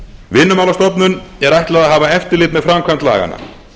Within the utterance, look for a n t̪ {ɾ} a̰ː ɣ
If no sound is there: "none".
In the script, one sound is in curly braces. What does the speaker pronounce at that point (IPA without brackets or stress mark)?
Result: l